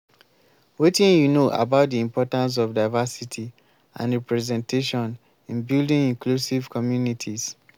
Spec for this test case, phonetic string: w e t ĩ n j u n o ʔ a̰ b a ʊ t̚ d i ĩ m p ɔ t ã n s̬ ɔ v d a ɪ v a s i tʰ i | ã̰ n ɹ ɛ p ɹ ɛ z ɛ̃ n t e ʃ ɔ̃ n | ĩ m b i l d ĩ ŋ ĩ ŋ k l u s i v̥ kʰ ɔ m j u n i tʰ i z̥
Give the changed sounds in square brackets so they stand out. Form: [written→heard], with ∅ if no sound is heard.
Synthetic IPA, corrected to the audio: w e t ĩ n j u n o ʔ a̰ b a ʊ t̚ d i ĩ m p ɔ t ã n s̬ ɔ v d a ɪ v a s i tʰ i | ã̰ n ɹ ɛ p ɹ ɛ z ɛ̃ n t e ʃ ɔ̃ n | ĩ [m→n] b i l d ĩ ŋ ĩ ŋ k l u s i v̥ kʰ ɔ m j u n i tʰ i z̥